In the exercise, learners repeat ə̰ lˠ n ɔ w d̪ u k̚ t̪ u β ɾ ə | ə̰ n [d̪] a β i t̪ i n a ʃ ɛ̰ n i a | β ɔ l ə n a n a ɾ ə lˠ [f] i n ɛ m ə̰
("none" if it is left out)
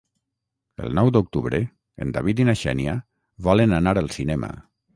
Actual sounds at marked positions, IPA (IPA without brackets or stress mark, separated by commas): d̪, s